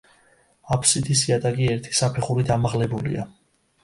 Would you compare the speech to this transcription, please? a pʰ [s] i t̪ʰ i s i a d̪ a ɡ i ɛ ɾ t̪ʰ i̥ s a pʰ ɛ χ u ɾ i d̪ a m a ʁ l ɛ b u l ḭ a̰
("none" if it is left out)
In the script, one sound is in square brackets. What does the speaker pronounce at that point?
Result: s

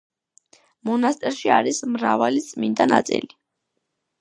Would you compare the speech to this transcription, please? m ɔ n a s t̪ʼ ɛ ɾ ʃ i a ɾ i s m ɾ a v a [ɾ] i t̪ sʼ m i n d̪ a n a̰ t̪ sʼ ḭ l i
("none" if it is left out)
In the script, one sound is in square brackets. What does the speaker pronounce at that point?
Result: l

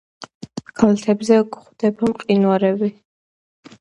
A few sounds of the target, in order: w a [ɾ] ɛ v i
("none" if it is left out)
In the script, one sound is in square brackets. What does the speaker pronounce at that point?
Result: ɾ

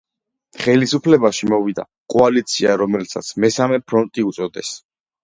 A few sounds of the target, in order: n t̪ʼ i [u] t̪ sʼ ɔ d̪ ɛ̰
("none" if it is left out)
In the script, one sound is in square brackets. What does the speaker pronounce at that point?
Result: u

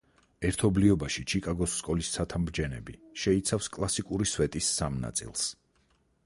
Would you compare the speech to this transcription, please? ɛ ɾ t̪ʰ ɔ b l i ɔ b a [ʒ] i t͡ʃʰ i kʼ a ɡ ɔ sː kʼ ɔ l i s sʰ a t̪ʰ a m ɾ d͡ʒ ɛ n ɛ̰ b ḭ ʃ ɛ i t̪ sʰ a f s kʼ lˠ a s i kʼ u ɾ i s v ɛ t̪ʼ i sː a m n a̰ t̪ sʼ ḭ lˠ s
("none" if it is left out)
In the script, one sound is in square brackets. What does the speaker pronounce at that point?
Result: ʃ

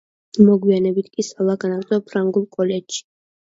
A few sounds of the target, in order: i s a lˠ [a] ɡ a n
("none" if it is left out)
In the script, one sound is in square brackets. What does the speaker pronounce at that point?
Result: a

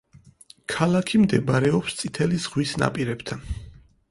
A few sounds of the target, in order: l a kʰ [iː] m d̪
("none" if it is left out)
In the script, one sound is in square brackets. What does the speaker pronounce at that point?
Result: i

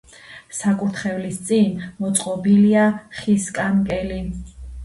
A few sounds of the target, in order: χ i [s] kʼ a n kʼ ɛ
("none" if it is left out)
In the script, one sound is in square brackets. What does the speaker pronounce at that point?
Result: s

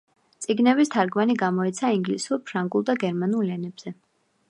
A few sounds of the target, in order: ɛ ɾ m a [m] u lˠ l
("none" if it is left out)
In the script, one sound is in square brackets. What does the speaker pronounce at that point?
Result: n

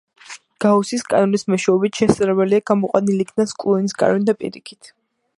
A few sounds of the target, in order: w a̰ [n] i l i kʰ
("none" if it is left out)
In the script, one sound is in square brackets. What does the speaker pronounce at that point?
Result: n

